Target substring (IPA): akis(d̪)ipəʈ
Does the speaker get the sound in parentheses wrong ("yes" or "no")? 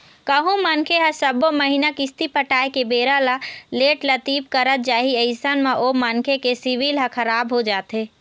yes